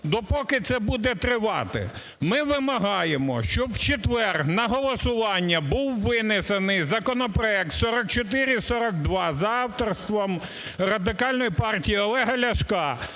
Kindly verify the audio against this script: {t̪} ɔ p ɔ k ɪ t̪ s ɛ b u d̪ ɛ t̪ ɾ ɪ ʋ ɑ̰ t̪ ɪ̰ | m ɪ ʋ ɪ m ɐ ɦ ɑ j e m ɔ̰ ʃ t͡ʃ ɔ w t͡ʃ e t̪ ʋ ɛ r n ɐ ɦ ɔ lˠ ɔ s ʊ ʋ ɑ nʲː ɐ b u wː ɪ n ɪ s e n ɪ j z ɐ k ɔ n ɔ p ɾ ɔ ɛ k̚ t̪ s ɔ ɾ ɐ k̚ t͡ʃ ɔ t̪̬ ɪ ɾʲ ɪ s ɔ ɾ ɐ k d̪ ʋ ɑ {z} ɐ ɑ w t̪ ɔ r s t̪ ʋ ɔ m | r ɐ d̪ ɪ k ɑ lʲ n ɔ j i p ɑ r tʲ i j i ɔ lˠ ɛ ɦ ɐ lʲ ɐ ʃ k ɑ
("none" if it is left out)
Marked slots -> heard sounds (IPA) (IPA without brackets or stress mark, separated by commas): d̪, z